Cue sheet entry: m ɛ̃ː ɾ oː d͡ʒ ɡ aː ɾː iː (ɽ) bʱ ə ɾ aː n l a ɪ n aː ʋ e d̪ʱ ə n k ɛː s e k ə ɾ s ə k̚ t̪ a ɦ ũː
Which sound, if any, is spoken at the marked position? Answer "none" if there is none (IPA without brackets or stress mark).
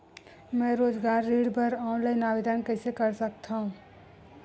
ɽ